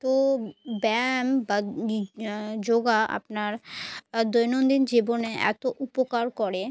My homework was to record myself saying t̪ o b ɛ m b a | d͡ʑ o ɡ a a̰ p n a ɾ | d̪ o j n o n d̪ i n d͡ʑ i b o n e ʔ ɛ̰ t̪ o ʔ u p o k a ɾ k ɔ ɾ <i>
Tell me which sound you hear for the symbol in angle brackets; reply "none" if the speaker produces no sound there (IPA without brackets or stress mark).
e